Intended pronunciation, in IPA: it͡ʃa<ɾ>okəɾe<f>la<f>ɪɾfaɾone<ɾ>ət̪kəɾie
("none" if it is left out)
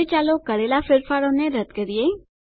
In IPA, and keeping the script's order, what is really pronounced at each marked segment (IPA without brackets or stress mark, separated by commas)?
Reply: l, none, f, ɾ